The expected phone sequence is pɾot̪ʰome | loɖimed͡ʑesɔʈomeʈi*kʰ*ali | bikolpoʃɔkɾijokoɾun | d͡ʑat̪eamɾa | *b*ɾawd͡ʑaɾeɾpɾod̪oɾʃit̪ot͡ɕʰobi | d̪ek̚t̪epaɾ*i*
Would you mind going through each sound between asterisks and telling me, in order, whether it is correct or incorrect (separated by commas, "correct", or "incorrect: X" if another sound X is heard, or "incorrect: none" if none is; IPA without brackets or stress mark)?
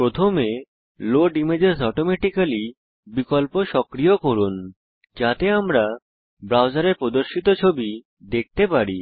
incorrect: k, correct, correct